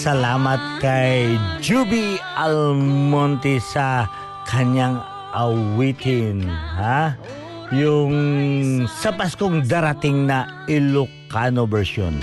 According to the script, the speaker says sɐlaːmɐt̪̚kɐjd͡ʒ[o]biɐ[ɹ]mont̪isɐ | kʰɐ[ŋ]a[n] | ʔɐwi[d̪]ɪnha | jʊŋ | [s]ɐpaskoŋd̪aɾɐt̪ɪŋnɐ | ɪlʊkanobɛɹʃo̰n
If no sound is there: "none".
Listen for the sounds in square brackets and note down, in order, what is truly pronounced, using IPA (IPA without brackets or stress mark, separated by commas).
u, l, ɲ, ŋ, t̪, s